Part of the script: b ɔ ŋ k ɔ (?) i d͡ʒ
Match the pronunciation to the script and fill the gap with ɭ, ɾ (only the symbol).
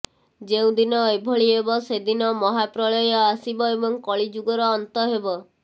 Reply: ɭ